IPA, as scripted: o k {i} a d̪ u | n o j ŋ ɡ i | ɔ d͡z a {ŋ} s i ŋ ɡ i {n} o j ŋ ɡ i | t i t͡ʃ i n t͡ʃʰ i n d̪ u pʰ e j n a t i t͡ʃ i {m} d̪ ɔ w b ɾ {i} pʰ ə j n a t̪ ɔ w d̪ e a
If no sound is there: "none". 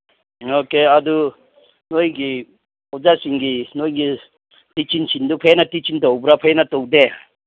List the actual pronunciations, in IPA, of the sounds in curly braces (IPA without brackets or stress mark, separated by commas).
e, none, n, n, a